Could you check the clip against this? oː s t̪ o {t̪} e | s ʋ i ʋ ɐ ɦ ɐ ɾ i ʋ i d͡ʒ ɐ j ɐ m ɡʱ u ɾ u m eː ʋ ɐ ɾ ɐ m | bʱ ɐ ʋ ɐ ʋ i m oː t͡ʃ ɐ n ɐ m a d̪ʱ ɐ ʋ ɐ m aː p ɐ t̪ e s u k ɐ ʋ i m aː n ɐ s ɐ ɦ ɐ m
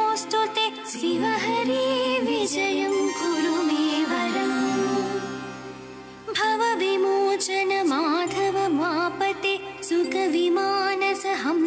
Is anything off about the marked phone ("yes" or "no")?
no